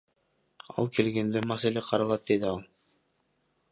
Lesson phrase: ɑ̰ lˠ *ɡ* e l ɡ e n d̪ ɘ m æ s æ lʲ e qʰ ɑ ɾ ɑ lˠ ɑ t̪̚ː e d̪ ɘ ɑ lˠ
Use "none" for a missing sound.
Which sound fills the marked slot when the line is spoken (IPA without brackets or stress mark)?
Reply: k